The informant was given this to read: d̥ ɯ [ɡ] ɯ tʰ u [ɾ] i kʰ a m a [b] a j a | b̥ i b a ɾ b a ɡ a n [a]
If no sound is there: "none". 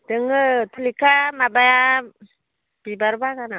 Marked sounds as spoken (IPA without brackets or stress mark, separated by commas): ŋ, l, b, a